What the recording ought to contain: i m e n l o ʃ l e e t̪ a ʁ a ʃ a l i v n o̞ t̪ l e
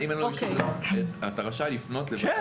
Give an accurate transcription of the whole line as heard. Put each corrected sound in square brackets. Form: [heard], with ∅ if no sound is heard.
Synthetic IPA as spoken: i m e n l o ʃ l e [a] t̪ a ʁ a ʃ a l i [f] n o̞ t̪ l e

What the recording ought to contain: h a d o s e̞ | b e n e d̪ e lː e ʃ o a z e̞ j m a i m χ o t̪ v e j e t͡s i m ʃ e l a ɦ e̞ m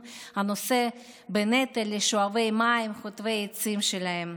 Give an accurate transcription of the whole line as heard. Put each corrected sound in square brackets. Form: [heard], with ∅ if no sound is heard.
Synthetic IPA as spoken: h a [n] o s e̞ | b e n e [t̪] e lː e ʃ o a [v] e̞ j m a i m χ o t̪ v e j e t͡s i m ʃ e l a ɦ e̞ m

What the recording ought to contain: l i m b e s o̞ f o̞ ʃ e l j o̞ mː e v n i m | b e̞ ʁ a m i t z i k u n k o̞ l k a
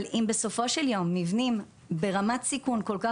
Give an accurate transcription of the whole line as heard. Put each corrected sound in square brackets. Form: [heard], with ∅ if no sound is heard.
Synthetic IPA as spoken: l i m b e s o̞ f o̞ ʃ e l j o̞ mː [i] v n i m | b e̞ ʁ a m [a] t [s] i k u n k o̞ l k a

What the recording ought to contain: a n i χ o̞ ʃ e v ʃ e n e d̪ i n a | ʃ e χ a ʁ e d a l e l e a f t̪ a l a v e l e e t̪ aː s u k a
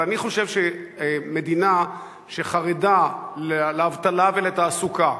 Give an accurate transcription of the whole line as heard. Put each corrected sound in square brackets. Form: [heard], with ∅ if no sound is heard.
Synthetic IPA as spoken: a n i χ o̞ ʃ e v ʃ e [m] e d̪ i n a | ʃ e χ a ʁ e d a l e l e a [v] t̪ a l a v e l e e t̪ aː s u k a

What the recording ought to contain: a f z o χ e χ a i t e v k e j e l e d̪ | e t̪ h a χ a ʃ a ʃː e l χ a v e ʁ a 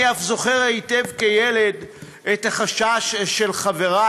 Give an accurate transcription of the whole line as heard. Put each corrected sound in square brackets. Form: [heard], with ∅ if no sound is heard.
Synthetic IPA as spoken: a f z o χ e [ʁ] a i t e v k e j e l e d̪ | e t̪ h a χ a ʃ a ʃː e l χ a v e ʁ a

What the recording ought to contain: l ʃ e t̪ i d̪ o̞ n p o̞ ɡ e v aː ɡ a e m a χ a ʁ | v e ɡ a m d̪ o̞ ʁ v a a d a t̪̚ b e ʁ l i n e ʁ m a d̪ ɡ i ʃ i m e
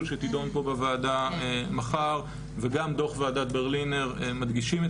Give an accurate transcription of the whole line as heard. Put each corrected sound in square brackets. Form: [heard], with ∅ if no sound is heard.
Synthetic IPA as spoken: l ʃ e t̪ i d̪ o̞ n p o̞ [b] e v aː [d] a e m a χ a ʁ | v e ɡ a m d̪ o̞ [χ] v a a d a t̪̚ b e ʁ l i n e ʁ m a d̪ ɡ i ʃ i m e

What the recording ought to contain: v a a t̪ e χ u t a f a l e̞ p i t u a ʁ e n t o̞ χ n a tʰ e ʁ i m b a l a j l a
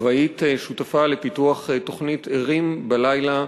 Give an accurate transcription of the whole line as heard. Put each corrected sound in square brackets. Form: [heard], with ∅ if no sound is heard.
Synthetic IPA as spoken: v a [i] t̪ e [ʃ] u t a f a l e̞ p i t u a [χ] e [∅] t o̞ χ n [i] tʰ e ʁ i m b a l a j l a

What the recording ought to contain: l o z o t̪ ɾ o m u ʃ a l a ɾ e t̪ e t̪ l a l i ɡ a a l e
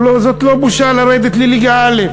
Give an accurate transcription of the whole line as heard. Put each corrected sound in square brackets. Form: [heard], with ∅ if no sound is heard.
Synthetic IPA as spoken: l o z o t̪ [l] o [b] u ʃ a l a ɾ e [d̪] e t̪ l [i] l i ɡ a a l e

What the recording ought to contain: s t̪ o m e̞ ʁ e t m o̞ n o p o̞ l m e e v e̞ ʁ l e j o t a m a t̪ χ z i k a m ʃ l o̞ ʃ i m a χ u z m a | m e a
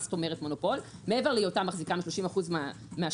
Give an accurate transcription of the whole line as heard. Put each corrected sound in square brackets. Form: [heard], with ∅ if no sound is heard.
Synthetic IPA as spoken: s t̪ o m e̞ ʁ e t m o̞ n o p o̞ l m e e v e̞ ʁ l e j o t a m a [∅] χ z i k a m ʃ l o̞ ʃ i m a χ u z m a | m e a

